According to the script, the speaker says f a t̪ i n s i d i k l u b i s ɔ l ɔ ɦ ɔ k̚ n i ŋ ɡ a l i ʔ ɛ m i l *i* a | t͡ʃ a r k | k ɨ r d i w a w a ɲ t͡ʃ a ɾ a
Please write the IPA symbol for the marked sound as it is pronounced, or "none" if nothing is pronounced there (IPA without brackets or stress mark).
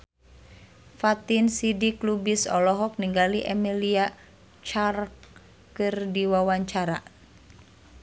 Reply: i